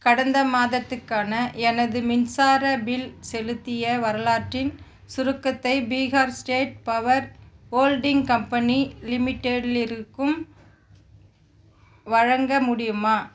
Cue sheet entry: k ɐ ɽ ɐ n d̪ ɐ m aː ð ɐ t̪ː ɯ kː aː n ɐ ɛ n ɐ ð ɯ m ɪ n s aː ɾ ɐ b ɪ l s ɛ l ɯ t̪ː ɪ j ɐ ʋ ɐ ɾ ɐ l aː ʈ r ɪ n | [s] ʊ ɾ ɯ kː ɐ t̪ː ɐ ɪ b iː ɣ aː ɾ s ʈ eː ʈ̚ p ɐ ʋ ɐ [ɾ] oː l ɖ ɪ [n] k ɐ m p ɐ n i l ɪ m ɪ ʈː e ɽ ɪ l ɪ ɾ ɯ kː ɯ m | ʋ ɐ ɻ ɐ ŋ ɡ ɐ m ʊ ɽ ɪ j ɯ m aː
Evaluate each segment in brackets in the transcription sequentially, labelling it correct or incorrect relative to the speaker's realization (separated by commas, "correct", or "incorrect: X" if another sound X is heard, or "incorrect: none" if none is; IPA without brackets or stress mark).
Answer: correct, correct, incorrect: ŋ